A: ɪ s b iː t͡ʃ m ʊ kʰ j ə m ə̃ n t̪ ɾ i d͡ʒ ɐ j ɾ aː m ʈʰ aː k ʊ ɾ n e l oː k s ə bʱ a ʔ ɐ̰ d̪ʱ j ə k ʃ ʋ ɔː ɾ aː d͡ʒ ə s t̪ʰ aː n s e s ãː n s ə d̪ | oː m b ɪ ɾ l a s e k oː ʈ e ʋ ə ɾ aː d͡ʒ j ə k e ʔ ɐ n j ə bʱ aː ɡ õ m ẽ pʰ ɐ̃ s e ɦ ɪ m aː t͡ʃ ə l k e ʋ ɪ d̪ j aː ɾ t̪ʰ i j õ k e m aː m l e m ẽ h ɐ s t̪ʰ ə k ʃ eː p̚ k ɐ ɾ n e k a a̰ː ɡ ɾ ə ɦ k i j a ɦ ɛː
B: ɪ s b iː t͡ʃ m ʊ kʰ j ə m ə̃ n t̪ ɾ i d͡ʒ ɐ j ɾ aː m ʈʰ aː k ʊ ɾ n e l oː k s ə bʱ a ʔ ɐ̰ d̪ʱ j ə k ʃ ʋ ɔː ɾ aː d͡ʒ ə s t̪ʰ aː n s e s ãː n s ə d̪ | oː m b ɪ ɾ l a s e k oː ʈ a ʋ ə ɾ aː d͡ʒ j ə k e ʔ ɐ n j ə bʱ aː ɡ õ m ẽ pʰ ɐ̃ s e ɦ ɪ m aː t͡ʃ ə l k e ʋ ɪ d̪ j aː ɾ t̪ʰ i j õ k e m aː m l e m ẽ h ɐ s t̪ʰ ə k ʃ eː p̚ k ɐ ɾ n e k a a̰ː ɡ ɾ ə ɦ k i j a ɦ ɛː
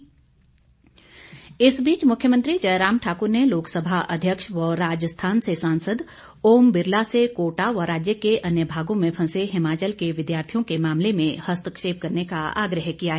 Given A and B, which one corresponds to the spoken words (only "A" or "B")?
B